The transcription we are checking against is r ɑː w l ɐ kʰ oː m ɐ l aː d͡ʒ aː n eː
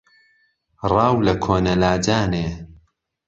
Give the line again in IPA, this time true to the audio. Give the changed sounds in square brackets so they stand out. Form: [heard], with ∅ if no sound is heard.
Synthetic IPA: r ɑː w l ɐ kʰ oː [n] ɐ l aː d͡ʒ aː n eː